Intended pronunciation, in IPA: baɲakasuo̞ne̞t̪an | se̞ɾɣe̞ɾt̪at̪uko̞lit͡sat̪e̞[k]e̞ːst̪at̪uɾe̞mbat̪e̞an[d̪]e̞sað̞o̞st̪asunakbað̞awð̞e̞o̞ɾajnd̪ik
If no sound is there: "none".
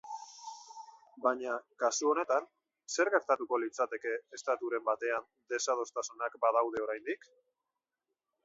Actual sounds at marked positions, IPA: k, d̪

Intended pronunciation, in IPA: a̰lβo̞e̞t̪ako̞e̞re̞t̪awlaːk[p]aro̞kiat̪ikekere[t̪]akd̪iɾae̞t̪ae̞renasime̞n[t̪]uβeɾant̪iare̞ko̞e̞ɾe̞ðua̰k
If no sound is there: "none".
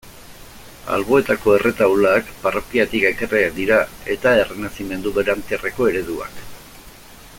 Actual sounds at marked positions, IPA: p, none, d̪

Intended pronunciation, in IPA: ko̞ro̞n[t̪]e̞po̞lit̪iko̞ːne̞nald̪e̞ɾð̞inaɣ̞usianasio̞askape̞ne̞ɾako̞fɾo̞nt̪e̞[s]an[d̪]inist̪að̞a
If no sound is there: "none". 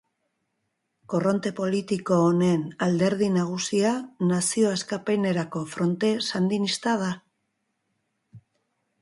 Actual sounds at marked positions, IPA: t̪, s, d̪

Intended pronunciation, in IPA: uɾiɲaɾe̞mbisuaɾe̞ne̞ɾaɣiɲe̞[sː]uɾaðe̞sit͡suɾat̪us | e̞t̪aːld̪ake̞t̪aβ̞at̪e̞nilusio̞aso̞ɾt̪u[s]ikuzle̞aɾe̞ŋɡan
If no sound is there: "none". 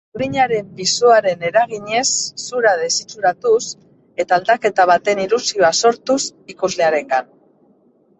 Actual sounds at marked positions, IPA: sː, s

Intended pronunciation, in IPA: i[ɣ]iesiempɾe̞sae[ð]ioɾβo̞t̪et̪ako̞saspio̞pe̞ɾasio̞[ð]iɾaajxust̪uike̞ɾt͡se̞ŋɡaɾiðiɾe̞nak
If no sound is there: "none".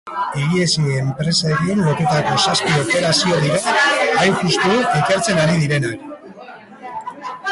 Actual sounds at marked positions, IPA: ɣ, ɣ, ð

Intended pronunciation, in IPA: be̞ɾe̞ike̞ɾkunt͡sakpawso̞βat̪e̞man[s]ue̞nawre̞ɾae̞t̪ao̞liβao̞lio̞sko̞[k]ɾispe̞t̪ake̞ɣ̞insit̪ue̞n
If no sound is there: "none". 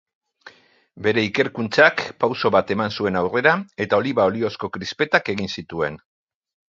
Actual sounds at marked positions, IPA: s, k

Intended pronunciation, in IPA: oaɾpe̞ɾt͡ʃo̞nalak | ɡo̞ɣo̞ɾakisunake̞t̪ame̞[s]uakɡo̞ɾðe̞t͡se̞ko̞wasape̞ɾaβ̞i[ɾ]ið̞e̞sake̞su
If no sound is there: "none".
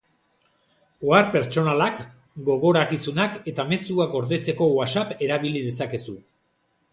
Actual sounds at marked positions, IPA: s, l

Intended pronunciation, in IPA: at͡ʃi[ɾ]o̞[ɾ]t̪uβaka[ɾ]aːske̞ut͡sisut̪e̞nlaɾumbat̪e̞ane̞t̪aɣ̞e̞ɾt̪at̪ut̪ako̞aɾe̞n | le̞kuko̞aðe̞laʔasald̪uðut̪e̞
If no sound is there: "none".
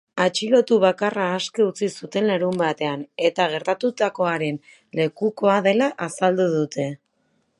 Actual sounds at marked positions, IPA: l, none, r

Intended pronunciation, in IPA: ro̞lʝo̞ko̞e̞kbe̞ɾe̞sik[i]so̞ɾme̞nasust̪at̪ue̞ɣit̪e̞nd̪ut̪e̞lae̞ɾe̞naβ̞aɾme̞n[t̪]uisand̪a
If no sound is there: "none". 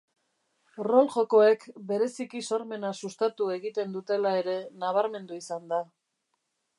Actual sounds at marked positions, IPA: i, d̪

